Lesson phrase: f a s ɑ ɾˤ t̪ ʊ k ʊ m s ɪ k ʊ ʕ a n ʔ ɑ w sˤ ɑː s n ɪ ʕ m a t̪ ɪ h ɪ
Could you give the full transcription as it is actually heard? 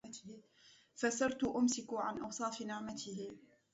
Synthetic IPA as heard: f a s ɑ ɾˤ t̪ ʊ ʔ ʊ m s ɪ k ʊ ʕ a n ʔ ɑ w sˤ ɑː f n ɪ ʕ m a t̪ ɪ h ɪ